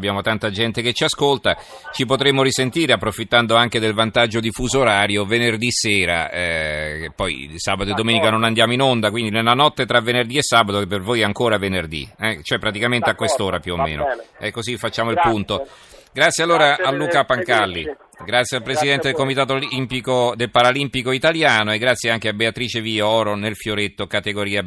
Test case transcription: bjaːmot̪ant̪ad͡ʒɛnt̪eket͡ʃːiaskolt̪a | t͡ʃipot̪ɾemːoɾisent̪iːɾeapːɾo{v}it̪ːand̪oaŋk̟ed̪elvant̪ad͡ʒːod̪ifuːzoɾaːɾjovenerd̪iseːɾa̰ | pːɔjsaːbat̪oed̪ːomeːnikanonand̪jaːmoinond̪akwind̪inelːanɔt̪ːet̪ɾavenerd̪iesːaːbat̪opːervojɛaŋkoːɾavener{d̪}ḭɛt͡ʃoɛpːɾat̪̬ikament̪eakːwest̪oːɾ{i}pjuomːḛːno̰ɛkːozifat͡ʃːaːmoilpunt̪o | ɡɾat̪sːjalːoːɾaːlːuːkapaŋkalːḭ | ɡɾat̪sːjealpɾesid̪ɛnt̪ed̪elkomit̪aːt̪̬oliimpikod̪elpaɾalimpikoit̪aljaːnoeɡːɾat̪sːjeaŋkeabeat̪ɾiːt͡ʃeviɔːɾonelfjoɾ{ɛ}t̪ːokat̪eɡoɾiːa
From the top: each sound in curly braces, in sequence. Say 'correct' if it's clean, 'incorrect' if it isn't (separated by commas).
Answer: incorrect, correct, incorrect, incorrect